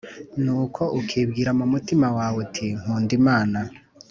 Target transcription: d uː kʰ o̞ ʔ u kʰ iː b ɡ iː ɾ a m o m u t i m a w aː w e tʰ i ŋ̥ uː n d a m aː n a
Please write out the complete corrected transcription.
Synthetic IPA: n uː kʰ o̞ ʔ u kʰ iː b ɡ iː ɾ a m u m u t i m a w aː w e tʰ i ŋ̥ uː n d i m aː n a